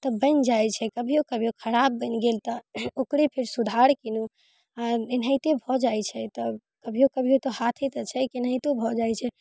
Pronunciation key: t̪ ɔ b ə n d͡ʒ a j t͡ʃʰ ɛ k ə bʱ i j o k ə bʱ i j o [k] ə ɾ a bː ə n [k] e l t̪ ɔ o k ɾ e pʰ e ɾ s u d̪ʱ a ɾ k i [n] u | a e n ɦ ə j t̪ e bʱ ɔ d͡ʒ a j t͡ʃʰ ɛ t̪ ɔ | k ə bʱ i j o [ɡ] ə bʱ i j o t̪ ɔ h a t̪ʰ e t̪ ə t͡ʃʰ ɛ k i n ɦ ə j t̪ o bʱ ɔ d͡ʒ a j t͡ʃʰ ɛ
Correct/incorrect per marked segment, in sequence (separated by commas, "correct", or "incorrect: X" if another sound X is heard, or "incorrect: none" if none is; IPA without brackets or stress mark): incorrect: kʰ, incorrect: ɡ, correct, incorrect: k